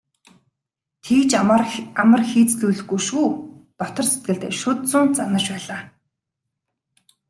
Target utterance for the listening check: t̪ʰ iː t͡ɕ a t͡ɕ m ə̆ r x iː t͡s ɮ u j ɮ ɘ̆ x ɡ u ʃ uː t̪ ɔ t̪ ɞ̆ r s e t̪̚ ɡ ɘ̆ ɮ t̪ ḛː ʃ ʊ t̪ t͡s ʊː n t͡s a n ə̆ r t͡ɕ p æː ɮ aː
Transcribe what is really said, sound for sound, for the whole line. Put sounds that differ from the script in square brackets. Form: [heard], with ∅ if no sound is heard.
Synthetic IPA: t̪ʰ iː t͡ɕ a [∅] m ə̆ r x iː t͡s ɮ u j ɮ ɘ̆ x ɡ u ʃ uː t̪ ɔ t̪ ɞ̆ r s e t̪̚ ɡ ɘ̆ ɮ t̪ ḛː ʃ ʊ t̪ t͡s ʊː n t͡s a n ə̆ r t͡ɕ p æː ɮ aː